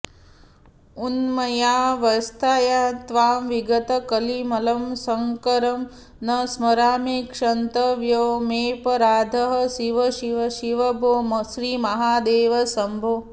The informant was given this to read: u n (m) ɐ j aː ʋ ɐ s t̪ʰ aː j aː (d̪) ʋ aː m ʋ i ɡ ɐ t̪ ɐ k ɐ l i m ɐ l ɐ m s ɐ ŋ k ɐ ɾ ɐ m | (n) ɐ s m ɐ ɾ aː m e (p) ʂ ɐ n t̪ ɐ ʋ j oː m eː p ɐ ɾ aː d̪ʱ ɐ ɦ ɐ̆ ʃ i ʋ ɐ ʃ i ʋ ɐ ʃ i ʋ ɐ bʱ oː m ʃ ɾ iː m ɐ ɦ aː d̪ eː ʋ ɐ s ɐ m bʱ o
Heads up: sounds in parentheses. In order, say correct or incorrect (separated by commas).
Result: correct, incorrect, correct, incorrect